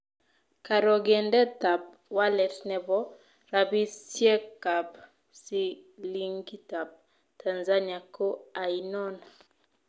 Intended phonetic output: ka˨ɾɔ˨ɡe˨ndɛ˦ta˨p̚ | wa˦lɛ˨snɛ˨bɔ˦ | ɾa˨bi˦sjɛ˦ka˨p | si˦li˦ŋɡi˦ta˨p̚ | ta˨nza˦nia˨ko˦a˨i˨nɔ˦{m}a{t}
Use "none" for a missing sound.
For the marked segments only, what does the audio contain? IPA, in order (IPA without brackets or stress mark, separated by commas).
n, none